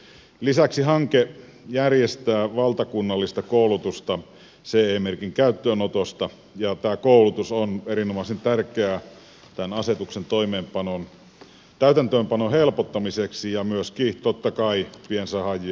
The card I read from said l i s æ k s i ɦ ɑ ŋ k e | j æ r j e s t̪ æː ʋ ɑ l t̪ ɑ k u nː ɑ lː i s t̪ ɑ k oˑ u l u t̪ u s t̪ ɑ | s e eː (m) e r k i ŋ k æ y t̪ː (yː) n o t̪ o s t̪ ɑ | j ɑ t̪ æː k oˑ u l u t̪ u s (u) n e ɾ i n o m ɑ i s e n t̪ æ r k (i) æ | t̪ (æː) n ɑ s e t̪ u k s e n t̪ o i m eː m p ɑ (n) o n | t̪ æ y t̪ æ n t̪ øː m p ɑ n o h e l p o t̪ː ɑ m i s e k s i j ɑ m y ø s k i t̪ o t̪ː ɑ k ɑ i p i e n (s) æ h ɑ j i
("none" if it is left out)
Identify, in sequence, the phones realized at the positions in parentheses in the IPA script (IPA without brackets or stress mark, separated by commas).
m, øː, o, e, æ, n, s